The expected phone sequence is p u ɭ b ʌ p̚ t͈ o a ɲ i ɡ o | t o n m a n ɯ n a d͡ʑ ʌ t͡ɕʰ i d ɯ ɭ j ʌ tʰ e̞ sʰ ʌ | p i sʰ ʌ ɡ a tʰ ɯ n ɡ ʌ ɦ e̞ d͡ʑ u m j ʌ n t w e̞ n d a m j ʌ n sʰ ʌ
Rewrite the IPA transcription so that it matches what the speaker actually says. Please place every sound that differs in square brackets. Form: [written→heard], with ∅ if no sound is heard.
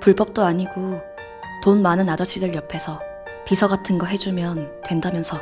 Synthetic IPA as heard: p u ɭ b ʌ p̚ t͈ o a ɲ i ɡ o | t o n m a n ɯ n a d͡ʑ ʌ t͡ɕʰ i d ɯ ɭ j ʌ [tʰ→pʰ] e̞ sʰ ʌ | p i sʰ ʌ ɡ a tʰ ɯ n ɡ ʌ ɦ e̞ d͡ʑ u m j ʌ n t w e̞ n d a m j ʌ n sʰ ʌ